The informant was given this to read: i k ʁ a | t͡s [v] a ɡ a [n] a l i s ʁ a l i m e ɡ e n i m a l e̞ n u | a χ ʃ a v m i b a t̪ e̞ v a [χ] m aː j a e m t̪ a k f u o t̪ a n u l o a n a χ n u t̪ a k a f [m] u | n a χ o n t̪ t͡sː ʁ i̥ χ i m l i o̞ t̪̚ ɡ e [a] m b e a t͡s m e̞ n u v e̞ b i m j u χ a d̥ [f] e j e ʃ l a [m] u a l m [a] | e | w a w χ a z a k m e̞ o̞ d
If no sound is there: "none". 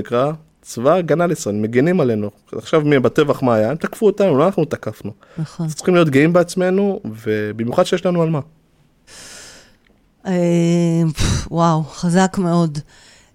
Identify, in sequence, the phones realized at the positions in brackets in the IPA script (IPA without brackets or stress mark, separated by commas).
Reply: v, n, χ, n, i, ʃ, n, a